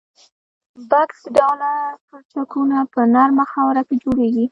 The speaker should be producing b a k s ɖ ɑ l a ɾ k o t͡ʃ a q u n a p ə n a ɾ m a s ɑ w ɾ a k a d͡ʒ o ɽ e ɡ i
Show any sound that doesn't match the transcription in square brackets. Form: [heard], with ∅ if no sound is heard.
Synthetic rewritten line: b a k s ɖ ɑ l a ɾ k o t͡ʃ a [k] u n a p ə n a ɾ m a [x] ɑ w ɾ a k [e] d͡ʒ o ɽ e ɡ i